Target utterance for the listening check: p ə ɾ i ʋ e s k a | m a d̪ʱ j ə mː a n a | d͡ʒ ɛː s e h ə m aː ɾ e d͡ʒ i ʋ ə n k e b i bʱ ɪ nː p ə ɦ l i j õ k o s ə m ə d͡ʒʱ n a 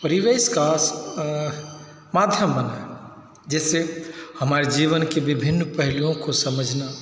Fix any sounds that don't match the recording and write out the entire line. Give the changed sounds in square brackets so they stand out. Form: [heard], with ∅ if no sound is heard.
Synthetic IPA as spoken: p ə ɾ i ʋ e s k a | m a d̪ʱ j ə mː [ə] n a | d͡ʒ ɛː s e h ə m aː ɾ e d͡ʒ i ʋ ə n k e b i bʱ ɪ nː p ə ɦ l i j õ k o s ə m ə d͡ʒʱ n a